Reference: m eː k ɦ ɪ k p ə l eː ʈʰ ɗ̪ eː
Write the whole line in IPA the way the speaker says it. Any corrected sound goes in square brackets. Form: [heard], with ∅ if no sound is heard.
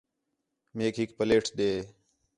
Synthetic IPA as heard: m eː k ɦ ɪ k p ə l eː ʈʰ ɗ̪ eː